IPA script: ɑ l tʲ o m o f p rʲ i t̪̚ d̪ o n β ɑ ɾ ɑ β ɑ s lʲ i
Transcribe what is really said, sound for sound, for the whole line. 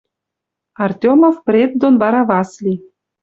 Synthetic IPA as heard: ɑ r tʲ o m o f p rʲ e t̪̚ d̪ o n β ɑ ɾ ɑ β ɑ s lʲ i

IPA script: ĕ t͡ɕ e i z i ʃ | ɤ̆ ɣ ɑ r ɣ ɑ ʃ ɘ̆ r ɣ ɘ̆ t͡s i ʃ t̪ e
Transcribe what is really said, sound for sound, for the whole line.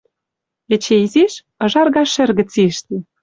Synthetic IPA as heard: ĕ t͡ɕ e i z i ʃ | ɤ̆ ʒ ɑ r ɣ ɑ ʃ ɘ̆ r ɣ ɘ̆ t͡s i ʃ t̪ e

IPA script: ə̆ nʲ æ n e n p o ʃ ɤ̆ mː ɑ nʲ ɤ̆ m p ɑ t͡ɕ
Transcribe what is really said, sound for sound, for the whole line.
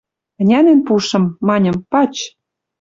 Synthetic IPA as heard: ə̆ nʲ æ n e n p u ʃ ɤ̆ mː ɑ nʲ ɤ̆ m p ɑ t͡ɕ

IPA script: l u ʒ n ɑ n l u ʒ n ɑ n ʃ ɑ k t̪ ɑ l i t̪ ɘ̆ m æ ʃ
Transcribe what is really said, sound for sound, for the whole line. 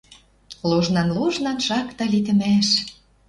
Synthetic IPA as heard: l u ʒ n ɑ n l u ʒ n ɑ n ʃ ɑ k t̪ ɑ l i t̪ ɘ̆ m æ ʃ

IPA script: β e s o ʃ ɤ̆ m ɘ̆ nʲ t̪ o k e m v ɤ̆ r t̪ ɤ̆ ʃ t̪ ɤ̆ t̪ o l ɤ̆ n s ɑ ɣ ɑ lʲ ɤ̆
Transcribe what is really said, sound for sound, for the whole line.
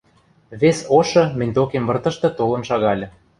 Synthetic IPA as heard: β e s o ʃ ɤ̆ m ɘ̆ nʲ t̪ o k e m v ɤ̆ r t̪ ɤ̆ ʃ t̪ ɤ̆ t̪ o l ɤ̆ n ʃ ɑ ɣ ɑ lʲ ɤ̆

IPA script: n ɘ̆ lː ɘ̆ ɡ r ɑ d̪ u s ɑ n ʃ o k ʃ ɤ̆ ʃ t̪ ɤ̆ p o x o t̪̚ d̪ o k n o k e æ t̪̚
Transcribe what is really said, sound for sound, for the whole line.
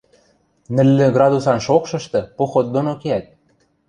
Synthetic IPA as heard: n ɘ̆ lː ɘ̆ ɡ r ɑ d̪ u s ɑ n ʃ o k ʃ ɤ̆ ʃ t̪ ɤ̆ p o x o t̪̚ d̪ o n o k e æ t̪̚

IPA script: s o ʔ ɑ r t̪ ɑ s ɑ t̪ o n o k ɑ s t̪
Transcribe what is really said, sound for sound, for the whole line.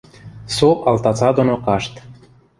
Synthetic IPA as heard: s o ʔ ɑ l t̪ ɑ t͡s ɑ d̪ o n o k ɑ ʃ t̪

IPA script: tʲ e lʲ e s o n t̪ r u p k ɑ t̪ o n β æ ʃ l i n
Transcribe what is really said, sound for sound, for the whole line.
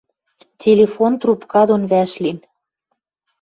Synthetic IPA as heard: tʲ e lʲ e f o n t̪ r u p k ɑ d̪ o n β æ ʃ l i n

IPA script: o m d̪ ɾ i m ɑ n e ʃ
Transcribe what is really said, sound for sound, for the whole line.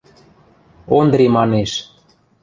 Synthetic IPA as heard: o n d̪ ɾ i m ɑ n e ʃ

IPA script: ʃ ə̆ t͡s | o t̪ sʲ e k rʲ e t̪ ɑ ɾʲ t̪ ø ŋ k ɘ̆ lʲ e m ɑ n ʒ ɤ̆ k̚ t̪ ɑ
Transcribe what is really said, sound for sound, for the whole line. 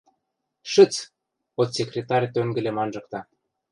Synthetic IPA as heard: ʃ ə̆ t͡s | o t̪ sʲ e k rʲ e t̪ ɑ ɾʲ t̪ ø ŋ ɡ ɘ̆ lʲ e m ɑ n ʒ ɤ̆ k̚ t̪ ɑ

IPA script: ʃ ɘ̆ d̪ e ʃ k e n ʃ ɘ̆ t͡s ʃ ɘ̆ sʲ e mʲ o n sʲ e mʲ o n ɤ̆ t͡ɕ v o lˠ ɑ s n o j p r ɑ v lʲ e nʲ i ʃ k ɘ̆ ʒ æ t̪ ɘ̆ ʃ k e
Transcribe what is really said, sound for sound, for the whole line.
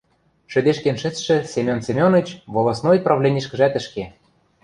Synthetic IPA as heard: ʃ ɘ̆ d̪ e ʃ k e n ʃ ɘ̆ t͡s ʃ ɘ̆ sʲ e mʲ o n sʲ e mʲ o n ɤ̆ t͡ɕ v o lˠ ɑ s n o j p r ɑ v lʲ e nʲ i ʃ k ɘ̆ ʒ æ t̪ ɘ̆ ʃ k e

